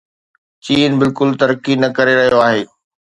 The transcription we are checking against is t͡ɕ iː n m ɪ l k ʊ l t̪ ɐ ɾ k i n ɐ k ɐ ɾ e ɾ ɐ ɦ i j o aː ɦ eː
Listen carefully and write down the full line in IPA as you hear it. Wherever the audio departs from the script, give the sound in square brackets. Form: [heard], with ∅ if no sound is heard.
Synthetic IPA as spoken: t͡ɕ iː n [b] ɪ l k ʊ l t̪ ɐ ɾ k i n ɐ k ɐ ɾ e ɾ ɐ ɦ i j o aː ɦ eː